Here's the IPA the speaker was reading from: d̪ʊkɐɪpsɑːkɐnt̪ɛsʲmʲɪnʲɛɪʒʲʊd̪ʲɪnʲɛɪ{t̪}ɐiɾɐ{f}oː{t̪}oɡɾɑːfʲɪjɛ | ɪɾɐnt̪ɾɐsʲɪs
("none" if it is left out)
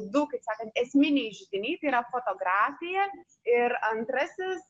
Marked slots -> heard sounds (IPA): t̪, f, t̪

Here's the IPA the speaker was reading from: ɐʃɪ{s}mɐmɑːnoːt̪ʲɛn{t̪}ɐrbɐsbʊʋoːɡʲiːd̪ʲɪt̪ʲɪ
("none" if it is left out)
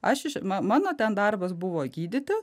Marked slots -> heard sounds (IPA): ʃ, d̪

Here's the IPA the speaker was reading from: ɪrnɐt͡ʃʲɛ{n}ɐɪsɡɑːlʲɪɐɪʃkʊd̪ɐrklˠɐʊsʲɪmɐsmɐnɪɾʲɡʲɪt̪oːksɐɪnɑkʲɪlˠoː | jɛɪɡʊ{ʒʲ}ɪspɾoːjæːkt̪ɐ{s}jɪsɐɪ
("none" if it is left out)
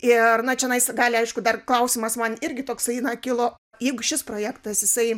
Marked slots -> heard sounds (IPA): n, ʃʲ, s

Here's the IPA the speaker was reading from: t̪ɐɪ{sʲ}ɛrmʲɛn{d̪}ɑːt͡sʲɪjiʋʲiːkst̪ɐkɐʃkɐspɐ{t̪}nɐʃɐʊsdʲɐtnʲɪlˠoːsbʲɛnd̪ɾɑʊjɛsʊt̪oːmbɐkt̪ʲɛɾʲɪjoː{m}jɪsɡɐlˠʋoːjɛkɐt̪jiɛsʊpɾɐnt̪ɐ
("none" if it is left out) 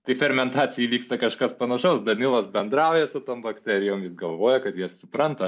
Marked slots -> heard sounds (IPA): fʲ, t̪, none, m

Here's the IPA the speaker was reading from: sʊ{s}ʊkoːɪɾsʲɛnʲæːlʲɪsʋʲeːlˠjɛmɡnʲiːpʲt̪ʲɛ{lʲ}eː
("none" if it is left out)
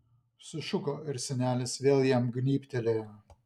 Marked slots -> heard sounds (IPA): ʃ, lʲ

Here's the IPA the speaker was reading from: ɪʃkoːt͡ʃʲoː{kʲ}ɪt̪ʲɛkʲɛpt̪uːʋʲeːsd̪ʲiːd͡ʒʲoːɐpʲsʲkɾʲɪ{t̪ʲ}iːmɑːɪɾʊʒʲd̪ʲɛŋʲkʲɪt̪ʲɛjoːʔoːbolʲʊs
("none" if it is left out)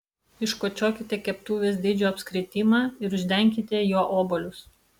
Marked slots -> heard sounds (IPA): kʲ, t̪ʲ

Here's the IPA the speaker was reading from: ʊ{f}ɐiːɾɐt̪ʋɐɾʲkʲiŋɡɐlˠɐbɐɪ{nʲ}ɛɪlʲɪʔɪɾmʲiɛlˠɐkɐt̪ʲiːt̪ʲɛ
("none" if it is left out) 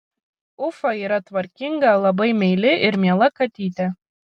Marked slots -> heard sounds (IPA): f, mʲ

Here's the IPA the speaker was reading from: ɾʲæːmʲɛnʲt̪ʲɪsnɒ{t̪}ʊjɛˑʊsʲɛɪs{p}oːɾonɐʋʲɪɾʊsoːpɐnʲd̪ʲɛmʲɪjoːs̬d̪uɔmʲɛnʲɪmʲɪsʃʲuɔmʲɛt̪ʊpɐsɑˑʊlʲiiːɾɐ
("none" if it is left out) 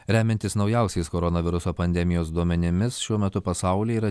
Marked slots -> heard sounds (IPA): none, k

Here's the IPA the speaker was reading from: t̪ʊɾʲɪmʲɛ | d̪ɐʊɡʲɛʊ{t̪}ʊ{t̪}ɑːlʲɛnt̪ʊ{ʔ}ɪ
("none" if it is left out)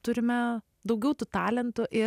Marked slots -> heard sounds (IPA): t̪, t̪, ʔ

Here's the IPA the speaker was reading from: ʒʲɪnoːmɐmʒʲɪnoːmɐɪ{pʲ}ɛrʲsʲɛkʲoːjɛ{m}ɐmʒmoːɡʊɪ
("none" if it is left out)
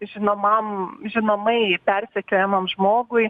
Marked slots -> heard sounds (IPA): pʲ, m

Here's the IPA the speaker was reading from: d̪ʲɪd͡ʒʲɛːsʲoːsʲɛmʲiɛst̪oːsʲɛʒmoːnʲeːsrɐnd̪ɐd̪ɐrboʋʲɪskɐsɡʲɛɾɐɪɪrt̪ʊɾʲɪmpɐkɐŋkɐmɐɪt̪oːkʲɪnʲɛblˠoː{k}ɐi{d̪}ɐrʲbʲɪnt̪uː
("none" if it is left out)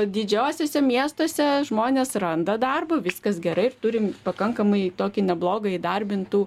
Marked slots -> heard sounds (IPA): ɡ, d̪

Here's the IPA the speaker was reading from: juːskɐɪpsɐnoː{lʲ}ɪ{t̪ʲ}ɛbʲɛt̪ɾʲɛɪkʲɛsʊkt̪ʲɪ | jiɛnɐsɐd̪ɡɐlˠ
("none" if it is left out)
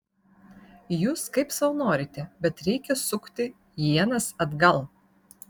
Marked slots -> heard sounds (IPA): ɾʲ, t̪ʲ

